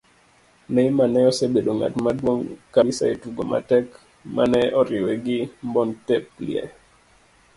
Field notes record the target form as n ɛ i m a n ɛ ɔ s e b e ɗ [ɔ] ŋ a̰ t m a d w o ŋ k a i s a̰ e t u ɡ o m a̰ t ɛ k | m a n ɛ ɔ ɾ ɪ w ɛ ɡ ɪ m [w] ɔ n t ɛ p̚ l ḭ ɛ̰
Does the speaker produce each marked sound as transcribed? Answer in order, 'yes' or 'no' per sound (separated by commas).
no, no